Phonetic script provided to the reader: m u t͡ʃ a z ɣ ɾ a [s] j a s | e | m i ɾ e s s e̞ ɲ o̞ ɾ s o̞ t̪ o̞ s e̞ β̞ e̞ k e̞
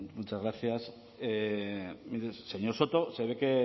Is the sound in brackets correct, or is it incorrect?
incorrect